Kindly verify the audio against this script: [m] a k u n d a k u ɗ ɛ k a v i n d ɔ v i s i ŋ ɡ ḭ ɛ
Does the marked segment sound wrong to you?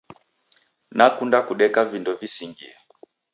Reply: yes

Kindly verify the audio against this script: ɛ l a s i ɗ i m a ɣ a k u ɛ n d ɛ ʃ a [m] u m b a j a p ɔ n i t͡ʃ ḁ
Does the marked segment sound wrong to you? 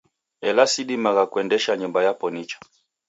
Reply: yes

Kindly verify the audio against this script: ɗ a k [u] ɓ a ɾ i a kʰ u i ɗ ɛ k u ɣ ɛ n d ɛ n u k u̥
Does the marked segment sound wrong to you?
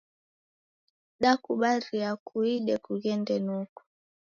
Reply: no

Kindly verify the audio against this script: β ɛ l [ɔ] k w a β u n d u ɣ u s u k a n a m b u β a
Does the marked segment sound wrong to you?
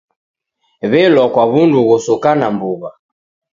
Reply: no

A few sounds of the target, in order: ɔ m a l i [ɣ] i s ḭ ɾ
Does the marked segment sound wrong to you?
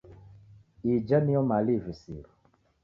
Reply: yes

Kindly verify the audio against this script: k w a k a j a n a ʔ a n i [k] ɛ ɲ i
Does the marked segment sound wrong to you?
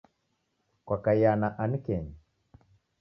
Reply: no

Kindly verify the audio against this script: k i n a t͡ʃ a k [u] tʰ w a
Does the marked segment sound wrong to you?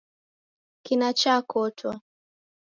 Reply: yes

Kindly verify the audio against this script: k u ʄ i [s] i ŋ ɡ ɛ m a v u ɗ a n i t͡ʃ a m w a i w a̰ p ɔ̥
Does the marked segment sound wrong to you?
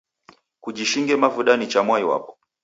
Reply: yes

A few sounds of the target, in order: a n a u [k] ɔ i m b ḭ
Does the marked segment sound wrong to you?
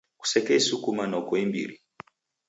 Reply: no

